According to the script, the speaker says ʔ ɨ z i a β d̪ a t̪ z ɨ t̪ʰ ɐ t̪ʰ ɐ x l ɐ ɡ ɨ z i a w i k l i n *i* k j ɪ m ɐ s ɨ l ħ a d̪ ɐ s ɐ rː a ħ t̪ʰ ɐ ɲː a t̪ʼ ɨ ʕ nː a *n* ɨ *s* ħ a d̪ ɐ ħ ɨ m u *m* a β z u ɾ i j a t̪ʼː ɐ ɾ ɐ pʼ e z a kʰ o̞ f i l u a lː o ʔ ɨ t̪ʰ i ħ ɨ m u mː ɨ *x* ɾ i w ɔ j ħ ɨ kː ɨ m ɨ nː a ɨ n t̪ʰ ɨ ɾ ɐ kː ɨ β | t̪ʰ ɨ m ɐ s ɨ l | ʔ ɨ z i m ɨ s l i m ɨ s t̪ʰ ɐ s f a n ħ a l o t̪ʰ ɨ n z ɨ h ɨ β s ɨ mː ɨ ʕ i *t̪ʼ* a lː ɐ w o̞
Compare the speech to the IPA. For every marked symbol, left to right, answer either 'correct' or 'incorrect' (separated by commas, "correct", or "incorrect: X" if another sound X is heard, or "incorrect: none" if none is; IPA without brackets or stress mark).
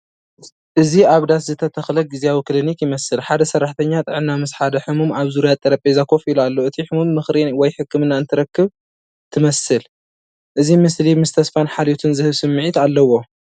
correct, incorrect: m, correct, correct, correct, incorrect: t̪